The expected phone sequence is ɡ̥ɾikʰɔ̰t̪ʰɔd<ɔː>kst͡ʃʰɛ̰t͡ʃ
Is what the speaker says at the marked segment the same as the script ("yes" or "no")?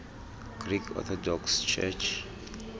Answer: no